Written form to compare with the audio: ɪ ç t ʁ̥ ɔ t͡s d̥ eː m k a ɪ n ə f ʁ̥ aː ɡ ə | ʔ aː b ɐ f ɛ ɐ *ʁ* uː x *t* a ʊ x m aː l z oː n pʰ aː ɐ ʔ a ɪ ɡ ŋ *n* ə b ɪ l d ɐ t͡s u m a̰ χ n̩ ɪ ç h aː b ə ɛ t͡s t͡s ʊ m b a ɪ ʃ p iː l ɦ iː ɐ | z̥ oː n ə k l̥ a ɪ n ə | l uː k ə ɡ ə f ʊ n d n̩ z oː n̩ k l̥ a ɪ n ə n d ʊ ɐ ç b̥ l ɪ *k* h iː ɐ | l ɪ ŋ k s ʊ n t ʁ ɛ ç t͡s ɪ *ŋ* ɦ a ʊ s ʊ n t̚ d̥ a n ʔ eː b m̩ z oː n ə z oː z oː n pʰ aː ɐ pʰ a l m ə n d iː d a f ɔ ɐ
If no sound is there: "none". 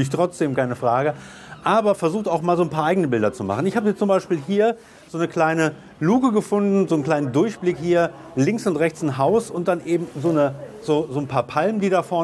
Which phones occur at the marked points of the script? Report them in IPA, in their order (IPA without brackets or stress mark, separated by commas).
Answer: z, t, n, k, n